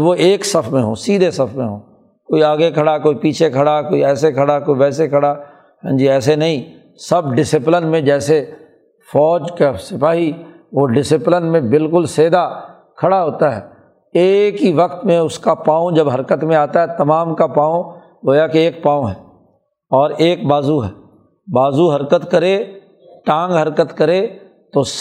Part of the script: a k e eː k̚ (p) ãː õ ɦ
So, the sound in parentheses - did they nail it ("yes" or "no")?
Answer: yes